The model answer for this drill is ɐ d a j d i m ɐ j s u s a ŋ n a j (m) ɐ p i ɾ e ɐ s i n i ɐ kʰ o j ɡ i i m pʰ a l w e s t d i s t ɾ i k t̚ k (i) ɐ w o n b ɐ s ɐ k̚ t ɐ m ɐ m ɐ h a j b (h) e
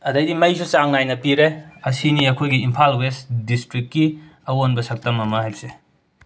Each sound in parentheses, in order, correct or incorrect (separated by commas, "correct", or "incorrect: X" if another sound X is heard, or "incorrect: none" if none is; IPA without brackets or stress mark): incorrect: n, correct, incorrect: s